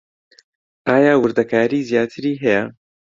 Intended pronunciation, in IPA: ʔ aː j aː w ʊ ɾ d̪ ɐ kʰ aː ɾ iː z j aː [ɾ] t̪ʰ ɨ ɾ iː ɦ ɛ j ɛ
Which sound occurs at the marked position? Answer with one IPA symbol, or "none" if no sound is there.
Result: none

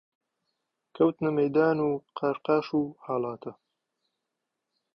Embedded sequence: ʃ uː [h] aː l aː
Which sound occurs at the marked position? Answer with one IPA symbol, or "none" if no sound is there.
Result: h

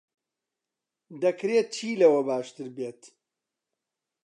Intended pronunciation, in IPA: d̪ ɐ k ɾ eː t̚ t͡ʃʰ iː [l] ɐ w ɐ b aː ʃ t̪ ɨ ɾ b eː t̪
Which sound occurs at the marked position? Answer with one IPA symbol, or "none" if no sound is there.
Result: l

